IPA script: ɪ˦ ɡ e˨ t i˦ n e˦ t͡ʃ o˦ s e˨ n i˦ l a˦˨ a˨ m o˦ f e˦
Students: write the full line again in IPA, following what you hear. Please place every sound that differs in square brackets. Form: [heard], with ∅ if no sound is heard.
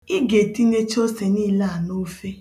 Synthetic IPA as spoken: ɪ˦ ɡ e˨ t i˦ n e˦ t͡ʃ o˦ s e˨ n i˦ l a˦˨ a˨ [n] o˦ f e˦